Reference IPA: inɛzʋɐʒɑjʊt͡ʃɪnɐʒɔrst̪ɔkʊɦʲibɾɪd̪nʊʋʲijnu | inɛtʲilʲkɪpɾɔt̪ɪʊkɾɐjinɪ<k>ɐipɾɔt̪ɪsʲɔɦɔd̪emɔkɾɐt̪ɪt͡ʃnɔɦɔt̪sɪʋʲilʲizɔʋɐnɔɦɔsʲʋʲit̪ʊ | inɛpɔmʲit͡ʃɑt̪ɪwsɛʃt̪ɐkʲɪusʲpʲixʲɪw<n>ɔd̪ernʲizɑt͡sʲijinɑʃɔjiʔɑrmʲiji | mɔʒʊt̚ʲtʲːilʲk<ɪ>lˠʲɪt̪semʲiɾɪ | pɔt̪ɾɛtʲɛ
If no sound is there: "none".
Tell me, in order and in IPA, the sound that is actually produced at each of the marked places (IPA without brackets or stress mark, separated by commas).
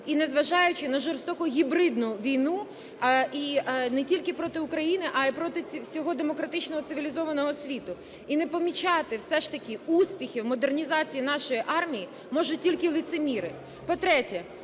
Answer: ʔ, m, ɪ